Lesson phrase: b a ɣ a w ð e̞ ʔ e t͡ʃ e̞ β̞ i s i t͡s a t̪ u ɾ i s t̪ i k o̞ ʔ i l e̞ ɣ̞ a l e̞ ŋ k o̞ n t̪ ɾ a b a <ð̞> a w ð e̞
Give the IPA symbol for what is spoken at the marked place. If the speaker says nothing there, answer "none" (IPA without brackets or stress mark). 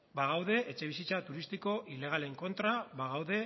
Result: ɣ̞